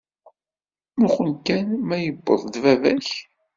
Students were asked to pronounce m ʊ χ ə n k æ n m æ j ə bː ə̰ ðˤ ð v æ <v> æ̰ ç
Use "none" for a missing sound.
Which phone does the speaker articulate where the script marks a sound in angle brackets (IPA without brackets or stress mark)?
v